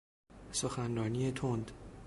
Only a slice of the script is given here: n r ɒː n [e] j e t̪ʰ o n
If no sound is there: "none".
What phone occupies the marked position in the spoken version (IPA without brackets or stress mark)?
i